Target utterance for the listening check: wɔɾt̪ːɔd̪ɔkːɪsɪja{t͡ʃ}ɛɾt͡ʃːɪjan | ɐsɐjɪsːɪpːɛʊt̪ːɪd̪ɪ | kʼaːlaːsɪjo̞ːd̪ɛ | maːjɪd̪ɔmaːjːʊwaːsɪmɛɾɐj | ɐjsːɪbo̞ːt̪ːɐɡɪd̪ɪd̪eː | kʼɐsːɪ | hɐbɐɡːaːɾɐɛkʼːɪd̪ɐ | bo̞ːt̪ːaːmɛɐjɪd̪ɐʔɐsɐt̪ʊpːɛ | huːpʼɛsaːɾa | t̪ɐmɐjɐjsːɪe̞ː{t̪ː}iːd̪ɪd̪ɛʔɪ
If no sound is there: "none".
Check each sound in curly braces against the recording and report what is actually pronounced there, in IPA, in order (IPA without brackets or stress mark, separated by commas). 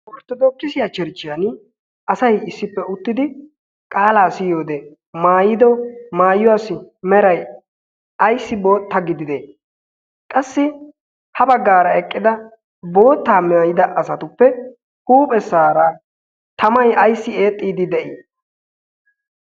t͡ʃ, t̪ʼː